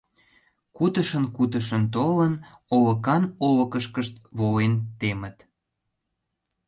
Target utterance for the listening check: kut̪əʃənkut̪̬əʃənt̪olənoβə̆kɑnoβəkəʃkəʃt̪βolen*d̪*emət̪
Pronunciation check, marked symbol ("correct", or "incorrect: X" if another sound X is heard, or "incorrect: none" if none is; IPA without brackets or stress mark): incorrect: t̪